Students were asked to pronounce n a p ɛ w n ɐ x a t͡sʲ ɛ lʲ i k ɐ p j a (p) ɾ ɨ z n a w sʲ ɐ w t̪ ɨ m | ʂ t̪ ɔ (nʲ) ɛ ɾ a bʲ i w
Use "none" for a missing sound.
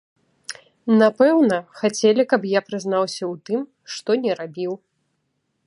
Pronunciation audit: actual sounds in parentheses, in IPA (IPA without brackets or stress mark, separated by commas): p, nʲ